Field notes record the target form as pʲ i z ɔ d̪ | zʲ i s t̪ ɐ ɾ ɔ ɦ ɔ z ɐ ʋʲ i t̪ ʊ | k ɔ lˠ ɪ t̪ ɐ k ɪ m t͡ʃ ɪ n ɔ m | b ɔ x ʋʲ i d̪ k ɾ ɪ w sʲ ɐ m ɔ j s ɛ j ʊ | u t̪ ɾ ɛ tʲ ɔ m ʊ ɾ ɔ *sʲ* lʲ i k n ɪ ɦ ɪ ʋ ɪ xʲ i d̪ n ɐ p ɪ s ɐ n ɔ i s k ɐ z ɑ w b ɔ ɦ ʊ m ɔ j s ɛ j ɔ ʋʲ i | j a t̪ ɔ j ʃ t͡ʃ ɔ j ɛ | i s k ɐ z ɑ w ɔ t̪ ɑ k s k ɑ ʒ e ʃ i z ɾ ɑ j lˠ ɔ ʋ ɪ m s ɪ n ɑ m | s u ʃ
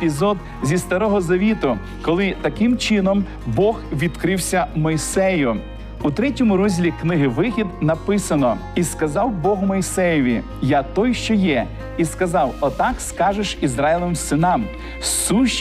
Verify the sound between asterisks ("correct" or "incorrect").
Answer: incorrect